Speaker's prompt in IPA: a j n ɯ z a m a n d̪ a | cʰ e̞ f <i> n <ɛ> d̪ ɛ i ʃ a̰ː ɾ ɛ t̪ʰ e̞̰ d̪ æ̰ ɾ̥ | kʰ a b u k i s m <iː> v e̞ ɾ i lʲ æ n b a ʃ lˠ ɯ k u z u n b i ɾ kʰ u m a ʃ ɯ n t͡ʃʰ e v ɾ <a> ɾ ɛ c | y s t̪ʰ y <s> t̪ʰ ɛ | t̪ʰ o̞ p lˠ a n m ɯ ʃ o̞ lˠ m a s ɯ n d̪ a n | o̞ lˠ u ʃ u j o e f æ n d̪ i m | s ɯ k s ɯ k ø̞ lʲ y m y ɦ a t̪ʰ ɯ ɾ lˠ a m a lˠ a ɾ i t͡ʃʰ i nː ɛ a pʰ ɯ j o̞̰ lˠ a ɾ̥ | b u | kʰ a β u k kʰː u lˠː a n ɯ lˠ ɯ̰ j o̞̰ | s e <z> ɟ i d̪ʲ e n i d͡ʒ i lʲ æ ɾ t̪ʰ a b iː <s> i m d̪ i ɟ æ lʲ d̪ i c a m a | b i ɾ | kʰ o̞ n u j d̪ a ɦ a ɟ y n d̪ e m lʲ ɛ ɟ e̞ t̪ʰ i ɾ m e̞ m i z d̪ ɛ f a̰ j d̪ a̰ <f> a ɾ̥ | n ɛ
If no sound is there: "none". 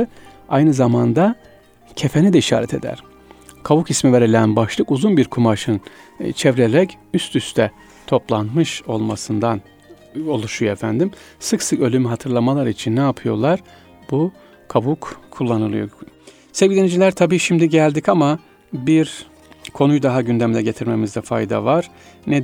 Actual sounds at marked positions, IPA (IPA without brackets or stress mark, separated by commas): e, i, i, e, s, v, ʃ, v